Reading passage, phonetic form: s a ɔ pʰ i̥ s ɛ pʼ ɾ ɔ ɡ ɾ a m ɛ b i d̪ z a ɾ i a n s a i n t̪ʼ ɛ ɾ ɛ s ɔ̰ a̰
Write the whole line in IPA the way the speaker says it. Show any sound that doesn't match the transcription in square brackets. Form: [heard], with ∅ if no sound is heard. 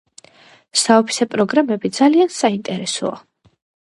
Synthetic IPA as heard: s a ɔ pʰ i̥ s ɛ pʼ ɾ ɔ ɡ ɾ a m ɛ b i d̪ z a [l] i a n s a i n t̪ʼ ɛ ɾ ɛ s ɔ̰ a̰